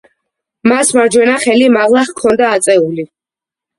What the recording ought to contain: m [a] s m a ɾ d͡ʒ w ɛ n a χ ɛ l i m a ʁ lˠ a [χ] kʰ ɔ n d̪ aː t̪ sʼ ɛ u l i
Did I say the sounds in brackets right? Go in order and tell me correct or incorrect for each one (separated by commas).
correct, correct